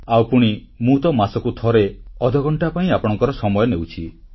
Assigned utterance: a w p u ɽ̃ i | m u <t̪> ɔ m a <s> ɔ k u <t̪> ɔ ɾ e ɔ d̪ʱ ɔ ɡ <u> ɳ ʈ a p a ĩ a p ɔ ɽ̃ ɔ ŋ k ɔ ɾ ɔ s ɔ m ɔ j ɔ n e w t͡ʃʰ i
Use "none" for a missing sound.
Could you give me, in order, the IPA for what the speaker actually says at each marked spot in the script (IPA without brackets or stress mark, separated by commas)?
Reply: t̪, s, t̪ʰ, ɔ